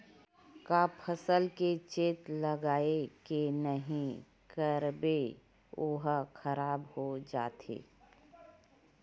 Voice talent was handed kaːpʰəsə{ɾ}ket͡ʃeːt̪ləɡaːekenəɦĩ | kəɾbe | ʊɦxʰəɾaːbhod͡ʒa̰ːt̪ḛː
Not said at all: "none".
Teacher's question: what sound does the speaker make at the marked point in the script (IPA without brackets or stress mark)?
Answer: l